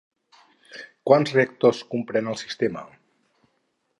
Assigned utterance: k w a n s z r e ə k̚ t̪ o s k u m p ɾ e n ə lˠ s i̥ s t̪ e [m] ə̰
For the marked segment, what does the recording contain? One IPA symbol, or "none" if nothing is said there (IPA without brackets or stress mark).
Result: m